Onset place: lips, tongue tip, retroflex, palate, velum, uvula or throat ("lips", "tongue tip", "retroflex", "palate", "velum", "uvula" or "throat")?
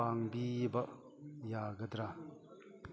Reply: velum